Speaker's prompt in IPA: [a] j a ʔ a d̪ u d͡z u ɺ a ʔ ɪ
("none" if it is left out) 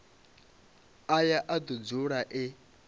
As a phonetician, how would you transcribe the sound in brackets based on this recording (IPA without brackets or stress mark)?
a